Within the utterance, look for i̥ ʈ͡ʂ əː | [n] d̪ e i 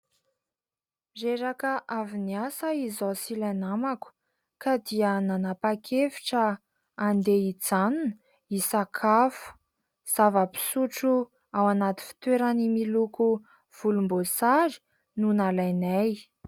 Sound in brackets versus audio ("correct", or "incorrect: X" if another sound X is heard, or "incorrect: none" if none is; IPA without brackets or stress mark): correct